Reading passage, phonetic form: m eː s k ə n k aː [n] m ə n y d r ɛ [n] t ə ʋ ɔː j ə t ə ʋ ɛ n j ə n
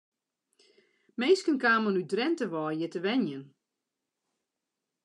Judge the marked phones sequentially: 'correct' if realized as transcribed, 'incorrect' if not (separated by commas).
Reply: incorrect, correct